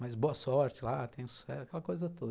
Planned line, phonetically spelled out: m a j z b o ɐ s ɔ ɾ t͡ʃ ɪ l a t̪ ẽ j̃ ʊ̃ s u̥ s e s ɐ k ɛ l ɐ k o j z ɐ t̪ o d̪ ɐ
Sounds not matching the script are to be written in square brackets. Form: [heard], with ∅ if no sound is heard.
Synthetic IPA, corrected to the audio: m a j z b o ɐ s ɔ ɾ t͡ʃ ɪ l a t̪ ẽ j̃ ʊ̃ s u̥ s [ɛ] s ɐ k ɛ l ɐ k o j z ɐ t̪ o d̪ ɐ